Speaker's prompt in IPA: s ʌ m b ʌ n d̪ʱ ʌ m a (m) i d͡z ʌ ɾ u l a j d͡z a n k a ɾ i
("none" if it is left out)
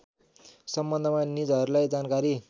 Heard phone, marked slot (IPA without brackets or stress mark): n